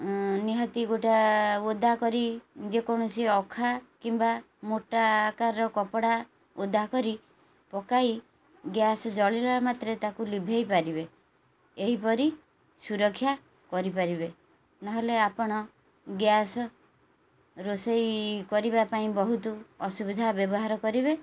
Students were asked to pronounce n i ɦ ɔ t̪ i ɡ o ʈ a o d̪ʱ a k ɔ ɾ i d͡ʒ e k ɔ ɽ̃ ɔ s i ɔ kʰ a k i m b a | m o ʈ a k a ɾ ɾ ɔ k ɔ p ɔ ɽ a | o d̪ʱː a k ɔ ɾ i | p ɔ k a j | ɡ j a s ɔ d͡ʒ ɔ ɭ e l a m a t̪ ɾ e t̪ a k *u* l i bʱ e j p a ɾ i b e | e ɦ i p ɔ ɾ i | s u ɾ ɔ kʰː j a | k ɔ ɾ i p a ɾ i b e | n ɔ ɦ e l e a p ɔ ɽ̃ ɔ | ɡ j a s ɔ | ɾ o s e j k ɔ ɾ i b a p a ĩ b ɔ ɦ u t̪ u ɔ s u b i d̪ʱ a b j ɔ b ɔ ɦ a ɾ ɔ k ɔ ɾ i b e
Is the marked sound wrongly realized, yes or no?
no